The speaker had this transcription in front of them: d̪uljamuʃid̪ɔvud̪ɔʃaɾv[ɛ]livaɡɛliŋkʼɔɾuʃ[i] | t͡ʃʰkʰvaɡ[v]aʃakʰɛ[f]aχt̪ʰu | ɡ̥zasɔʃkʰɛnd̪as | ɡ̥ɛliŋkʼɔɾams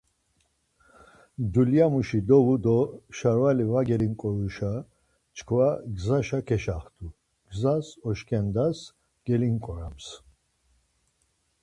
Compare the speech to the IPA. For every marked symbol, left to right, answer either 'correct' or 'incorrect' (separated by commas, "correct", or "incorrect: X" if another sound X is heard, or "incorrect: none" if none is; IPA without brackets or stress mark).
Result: incorrect: a, incorrect: a, incorrect: z, incorrect: ʃ